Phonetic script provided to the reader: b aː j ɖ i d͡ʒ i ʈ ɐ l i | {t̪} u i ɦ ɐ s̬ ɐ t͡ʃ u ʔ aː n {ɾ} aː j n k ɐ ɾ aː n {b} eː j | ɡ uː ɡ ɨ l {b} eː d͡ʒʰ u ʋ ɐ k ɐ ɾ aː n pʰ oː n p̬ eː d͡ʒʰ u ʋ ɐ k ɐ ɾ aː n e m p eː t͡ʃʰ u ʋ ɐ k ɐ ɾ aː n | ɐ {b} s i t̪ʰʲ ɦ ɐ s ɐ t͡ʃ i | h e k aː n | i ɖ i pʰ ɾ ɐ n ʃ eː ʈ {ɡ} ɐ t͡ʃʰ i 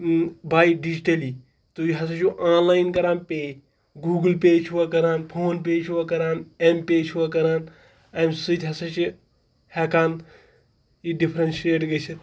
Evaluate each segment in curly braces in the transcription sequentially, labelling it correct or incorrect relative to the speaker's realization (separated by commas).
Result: correct, incorrect, incorrect, incorrect, incorrect, correct